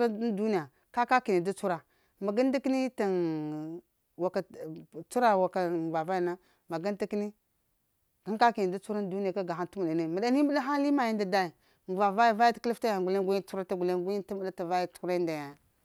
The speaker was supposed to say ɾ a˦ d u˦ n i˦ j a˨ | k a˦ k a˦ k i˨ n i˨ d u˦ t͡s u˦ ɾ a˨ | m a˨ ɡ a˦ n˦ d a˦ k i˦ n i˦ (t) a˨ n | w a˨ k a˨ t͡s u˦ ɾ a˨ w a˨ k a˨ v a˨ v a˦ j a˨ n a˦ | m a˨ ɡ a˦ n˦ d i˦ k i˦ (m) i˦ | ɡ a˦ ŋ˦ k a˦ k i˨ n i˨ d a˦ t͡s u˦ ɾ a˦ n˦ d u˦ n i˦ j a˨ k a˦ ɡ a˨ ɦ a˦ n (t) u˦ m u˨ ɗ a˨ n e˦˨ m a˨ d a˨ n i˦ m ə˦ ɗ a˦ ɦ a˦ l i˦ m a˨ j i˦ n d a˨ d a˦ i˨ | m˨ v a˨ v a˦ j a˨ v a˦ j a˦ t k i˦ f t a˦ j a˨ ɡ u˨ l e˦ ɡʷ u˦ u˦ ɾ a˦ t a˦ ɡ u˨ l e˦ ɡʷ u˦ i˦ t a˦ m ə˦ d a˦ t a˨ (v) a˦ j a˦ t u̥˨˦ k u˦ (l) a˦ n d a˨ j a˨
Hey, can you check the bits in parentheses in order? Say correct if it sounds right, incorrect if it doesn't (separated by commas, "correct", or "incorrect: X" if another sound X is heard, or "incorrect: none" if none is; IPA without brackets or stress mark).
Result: correct, incorrect: n, correct, correct, incorrect: ɾ